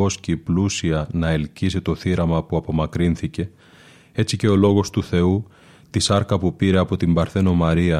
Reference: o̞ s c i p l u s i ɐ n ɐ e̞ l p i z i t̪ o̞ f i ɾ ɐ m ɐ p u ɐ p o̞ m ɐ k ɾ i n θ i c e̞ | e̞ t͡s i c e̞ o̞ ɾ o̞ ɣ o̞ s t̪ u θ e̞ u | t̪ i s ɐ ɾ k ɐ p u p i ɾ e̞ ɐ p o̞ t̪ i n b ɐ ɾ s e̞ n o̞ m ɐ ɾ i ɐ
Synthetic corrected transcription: o̞ s c i p l u s i ɐ n ɐ e̞ l c i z i t̪ o̞ θ i ɾ ɐ m ɐ p u ɐ p o̞ m ɐ k ɾ i n θ i c e̞ | e̞ t͡s i c e̞ o̞ l o̞ ɣ o̞ s t̪ u θ e̞ u | t̪ i s ɐ ɾ k ɐ p u p i ɾ e̞ ɐ p o̞ t̪ i m b ɐ ɾ θ e̞ n o̞ m ɐ ɾ i ɐ